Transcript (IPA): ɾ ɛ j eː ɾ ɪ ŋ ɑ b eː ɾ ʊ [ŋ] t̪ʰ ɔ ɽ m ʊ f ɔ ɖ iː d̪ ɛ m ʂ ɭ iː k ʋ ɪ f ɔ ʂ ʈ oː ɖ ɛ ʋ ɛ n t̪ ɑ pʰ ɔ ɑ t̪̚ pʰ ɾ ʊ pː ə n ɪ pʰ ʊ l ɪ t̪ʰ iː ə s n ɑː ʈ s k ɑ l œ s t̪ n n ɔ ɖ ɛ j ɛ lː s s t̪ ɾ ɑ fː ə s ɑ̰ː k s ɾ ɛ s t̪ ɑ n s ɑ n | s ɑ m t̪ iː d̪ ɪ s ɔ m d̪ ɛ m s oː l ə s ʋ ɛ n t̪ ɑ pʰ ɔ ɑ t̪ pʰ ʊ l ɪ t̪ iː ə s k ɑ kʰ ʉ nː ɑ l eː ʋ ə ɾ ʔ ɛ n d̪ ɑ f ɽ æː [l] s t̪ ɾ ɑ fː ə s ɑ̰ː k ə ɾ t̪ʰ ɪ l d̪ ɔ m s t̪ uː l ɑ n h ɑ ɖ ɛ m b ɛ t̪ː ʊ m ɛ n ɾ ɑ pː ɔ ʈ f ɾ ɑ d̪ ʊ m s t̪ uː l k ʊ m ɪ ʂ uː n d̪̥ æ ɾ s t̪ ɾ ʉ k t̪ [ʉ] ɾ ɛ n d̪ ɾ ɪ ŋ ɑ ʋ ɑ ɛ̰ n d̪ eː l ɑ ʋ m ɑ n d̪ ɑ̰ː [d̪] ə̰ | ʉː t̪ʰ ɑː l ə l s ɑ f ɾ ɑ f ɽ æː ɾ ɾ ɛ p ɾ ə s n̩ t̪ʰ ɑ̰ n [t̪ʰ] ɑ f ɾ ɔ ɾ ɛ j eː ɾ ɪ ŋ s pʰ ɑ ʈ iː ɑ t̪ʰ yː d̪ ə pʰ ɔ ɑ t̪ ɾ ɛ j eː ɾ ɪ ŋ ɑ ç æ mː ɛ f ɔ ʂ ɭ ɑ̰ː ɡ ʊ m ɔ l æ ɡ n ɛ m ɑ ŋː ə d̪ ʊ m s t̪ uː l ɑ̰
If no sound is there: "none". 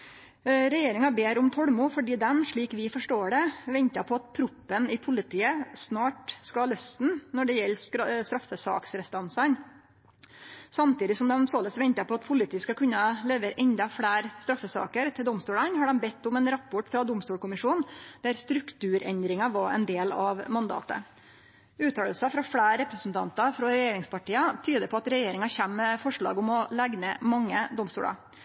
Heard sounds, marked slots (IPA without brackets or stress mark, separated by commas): m, ɾ, ʉː, t̪, t̪